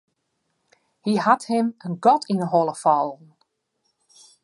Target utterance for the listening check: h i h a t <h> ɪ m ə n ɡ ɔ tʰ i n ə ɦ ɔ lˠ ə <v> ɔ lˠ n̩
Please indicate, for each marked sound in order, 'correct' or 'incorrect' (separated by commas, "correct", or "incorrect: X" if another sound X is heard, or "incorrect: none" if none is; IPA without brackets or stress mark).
correct, incorrect: f